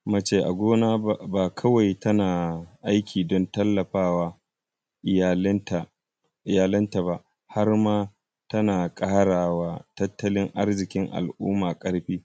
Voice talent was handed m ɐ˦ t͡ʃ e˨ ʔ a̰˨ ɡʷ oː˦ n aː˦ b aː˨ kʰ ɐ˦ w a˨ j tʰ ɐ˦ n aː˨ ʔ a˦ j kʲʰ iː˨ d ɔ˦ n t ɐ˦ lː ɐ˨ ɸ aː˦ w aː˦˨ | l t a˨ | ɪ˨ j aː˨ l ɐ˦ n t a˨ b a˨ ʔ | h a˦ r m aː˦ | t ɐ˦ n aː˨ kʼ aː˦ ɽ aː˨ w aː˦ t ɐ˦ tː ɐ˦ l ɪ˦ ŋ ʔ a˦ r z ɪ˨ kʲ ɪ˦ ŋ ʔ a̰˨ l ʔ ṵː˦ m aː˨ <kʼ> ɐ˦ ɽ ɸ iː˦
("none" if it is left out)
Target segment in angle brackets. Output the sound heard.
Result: kʼ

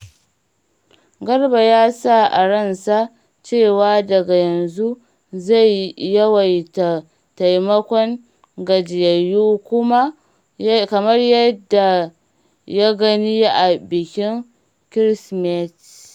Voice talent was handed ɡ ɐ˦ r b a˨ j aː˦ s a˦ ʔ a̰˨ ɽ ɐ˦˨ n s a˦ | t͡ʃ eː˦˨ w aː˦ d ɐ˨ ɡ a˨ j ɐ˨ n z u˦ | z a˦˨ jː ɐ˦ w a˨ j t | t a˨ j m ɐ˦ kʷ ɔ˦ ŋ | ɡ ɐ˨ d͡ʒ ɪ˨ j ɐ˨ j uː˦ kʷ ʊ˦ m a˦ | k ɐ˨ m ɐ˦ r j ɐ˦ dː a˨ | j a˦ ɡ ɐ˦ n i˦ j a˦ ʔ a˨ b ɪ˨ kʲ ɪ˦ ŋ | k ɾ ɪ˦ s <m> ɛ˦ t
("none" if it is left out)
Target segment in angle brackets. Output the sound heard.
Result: m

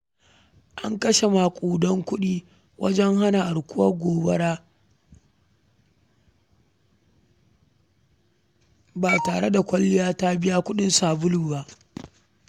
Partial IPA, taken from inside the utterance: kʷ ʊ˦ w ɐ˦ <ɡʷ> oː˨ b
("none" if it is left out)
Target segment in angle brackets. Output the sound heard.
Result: ɡʷ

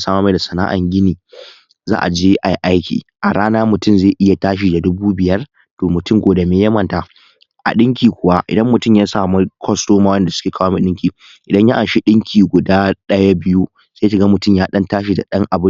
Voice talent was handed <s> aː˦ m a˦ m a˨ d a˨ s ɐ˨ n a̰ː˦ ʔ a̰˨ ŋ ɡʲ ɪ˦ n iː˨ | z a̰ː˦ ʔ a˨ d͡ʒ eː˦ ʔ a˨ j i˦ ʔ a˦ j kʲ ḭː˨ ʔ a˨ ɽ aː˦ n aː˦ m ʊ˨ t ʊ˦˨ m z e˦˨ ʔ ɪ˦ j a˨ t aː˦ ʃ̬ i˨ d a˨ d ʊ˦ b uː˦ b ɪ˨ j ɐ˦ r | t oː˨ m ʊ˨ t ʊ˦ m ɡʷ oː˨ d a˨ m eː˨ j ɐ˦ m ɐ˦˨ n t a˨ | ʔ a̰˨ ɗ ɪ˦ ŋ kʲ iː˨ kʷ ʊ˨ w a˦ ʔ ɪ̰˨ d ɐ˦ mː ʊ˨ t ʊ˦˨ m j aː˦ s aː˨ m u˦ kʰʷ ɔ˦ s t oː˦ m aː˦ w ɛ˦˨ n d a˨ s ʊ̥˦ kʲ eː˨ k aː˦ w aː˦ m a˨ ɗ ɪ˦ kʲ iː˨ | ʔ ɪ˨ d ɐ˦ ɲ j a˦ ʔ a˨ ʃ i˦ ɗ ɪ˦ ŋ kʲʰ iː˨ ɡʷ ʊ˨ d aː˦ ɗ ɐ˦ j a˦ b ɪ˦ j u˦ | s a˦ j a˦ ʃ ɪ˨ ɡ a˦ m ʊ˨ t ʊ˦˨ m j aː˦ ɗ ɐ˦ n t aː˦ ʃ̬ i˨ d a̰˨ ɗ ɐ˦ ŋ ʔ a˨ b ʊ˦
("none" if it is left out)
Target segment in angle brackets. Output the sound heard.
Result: s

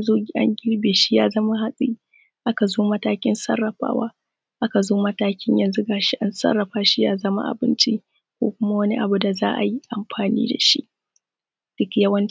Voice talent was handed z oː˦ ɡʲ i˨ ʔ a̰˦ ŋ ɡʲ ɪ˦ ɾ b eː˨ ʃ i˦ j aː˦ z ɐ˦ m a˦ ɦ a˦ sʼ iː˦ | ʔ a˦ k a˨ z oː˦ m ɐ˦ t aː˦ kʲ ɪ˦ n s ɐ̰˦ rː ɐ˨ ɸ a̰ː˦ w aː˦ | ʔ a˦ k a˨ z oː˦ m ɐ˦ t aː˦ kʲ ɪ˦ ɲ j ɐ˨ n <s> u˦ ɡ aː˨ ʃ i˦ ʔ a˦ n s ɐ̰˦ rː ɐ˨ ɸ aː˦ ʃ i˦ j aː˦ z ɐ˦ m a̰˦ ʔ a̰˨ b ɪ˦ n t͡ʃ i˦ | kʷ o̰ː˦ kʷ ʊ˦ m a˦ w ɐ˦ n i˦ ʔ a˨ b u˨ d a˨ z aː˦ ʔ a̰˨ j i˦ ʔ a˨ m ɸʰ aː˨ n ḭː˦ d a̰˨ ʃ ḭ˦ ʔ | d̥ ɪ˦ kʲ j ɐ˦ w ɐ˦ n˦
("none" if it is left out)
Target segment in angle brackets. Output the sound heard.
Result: z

